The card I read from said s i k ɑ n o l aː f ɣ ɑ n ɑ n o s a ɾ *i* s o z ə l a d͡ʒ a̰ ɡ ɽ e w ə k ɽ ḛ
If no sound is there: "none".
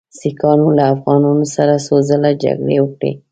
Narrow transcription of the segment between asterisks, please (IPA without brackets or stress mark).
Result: a